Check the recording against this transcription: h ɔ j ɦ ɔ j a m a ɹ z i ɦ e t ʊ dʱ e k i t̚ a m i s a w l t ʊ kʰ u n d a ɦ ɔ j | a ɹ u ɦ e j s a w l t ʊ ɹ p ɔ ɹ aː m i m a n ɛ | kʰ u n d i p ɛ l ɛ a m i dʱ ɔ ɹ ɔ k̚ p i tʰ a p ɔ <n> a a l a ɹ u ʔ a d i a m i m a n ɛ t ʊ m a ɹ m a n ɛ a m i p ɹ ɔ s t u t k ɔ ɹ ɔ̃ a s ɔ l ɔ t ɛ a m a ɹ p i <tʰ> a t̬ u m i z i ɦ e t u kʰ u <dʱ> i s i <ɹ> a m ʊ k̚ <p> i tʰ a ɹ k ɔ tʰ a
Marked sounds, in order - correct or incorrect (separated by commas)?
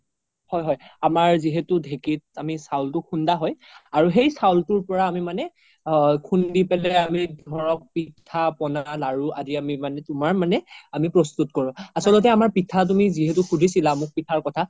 correct, correct, correct, incorrect, correct